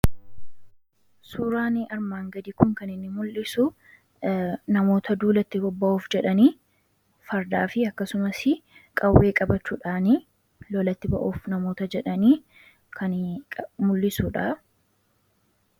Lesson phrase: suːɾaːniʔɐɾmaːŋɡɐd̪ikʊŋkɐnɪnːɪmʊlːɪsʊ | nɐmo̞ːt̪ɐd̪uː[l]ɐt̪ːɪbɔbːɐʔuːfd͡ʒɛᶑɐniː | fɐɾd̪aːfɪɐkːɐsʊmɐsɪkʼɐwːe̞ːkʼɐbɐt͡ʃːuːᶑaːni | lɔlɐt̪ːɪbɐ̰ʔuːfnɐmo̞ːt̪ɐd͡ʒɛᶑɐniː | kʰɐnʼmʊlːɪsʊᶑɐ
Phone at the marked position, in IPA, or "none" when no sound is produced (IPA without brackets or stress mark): l